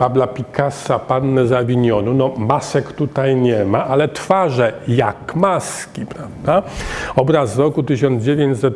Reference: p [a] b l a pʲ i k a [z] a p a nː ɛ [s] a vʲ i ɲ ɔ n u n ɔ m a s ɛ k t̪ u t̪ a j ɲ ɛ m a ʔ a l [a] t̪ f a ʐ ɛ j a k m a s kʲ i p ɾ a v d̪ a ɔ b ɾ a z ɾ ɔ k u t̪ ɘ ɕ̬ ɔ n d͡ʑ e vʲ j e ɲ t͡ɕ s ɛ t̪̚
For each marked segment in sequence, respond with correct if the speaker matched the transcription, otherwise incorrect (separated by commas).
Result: correct, incorrect, incorrect, incorrect